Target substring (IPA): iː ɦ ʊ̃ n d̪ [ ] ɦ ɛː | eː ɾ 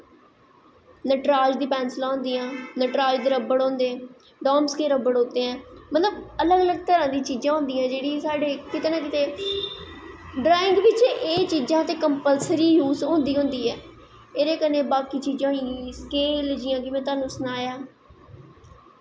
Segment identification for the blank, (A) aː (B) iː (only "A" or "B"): B